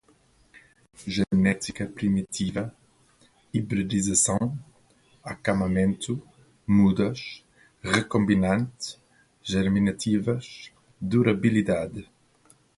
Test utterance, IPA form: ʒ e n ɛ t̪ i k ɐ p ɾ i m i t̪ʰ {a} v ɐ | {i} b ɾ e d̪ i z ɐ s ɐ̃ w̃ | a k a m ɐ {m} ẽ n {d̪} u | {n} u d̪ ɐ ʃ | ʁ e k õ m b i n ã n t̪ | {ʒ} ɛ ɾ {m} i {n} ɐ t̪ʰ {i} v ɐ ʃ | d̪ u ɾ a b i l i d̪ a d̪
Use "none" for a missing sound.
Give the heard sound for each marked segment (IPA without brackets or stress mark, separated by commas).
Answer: i, i, m, t̪, m, ʒ, m, n, i